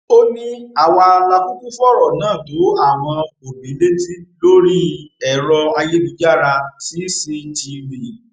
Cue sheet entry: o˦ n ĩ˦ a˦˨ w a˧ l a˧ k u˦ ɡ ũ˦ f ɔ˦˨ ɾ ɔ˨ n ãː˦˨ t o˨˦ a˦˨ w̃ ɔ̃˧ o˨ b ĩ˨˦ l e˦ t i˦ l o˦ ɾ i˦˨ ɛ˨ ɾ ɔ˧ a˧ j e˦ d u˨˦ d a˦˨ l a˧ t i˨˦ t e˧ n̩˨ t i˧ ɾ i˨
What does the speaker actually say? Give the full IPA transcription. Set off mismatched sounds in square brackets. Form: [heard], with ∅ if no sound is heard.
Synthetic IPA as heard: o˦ n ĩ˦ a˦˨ w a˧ l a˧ k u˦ [k] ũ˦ f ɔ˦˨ ɾ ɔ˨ n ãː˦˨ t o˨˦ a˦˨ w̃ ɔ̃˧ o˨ b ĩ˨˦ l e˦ t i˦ l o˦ ɾ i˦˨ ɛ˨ ɾ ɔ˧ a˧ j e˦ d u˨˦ [d͡ʒ] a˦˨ [ɾ] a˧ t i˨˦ [s] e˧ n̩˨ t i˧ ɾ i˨